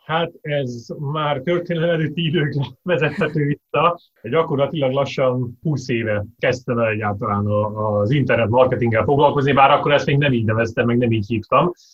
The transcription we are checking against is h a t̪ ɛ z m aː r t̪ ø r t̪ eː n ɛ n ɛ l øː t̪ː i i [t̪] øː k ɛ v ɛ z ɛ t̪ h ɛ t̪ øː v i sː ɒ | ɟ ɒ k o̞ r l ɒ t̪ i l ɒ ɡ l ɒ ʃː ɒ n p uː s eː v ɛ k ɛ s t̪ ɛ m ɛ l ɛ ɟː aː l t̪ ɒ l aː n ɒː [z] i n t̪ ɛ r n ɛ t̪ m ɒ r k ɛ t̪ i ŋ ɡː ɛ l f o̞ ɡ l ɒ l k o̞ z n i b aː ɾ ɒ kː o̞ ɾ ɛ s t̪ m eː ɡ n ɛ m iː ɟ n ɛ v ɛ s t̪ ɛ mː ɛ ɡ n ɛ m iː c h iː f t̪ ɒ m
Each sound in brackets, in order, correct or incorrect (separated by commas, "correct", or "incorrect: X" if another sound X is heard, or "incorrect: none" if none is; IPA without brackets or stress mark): incorrect: d̪, correct